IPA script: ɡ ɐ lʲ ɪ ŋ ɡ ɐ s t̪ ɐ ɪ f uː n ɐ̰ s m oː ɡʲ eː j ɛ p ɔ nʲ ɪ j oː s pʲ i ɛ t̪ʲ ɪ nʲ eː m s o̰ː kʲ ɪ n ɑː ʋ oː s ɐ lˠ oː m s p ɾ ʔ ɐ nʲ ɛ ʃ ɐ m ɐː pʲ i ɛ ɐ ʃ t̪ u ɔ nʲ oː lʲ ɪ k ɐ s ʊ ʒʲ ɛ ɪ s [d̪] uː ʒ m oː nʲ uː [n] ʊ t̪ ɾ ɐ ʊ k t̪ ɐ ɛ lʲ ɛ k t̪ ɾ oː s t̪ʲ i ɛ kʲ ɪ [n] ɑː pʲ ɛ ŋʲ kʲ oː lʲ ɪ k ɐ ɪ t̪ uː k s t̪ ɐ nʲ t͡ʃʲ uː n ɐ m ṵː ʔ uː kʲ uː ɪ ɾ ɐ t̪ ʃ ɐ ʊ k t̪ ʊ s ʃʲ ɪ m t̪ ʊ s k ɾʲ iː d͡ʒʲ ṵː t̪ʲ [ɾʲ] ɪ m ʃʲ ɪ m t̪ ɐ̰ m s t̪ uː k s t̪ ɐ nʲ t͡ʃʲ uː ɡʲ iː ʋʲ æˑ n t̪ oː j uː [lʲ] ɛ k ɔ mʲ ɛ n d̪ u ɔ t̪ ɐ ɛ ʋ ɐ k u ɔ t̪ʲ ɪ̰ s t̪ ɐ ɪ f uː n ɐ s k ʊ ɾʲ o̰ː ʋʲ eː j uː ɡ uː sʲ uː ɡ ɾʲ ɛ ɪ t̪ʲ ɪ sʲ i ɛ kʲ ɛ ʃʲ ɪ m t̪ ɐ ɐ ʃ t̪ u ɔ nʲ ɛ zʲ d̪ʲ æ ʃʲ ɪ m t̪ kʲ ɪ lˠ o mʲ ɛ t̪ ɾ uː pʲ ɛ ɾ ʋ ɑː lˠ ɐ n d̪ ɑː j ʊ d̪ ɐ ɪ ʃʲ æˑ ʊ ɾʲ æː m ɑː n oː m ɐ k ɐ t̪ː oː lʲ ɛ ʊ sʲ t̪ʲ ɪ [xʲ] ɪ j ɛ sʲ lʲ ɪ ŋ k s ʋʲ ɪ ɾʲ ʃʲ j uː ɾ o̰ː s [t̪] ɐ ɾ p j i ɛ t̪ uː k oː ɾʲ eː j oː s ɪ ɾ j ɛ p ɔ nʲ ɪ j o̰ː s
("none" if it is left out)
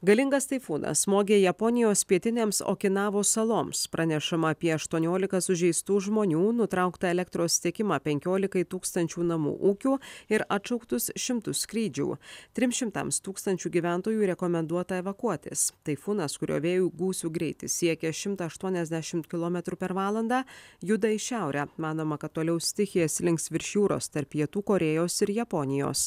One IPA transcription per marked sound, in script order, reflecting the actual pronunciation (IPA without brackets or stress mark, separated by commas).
t̪, n, m, ɾʲ, ɾʲ, xʲ, t̪